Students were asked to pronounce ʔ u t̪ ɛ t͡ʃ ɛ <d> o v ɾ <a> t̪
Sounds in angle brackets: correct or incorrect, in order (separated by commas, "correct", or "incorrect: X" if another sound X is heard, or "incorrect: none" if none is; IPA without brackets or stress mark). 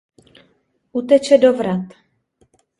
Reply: correct, correct